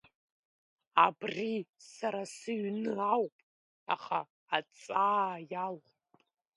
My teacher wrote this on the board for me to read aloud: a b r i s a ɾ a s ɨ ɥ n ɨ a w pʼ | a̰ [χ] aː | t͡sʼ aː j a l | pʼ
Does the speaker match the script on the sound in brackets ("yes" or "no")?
yes